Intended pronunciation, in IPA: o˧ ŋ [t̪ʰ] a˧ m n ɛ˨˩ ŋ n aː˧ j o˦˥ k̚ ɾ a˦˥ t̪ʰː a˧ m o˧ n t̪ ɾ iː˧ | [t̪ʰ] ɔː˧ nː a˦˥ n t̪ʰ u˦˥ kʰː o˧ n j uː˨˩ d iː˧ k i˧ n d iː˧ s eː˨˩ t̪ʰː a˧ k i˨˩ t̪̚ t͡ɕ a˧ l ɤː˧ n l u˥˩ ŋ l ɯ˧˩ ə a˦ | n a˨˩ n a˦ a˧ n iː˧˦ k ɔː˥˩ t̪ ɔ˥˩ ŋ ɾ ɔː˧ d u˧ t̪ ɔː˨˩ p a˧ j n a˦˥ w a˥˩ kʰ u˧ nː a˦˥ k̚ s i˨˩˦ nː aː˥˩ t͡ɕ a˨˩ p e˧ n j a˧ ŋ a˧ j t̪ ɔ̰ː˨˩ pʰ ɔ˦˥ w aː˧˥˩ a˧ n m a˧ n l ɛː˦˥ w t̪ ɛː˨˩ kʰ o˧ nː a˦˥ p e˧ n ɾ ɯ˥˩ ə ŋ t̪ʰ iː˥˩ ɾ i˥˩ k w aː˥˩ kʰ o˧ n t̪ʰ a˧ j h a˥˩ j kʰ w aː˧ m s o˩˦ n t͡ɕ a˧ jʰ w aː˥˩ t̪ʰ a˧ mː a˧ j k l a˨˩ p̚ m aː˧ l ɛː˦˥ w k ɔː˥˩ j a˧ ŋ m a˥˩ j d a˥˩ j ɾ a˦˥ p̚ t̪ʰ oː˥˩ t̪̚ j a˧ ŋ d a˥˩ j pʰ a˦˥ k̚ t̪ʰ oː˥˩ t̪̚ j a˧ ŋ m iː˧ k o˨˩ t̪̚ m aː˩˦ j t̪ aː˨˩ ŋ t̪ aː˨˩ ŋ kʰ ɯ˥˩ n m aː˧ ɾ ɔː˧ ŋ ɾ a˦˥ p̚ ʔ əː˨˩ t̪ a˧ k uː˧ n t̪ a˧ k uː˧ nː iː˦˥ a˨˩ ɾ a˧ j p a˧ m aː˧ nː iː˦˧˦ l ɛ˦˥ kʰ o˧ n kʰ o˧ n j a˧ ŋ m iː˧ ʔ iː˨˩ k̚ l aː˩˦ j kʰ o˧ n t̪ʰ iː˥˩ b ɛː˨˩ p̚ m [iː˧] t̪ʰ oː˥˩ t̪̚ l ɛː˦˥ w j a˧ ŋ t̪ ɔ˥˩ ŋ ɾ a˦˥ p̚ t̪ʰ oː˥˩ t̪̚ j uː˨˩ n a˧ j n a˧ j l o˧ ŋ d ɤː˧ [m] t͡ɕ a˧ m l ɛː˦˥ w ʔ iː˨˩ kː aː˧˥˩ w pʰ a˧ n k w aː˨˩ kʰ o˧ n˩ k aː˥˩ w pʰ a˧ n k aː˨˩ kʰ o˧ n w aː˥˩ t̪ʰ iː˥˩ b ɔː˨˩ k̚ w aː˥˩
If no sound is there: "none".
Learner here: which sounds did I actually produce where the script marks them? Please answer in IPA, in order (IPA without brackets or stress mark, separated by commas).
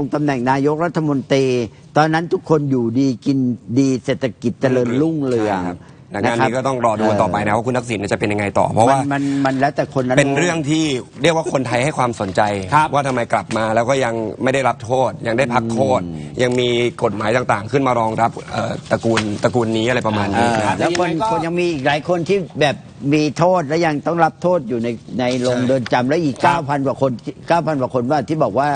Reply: t̪, t̪, iː˧, n